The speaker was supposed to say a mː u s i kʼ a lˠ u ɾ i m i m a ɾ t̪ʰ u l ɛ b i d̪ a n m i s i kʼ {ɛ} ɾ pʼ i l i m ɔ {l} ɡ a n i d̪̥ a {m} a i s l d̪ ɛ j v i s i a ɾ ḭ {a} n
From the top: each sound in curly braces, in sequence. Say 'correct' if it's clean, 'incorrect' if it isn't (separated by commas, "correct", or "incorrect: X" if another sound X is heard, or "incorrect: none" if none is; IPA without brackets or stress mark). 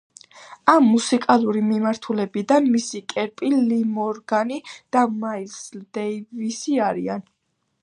correct, incorrect: ɾ, correct, correct